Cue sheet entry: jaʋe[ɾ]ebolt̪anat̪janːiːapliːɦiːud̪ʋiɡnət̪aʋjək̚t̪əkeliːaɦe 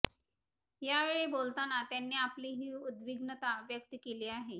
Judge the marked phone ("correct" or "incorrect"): incorrect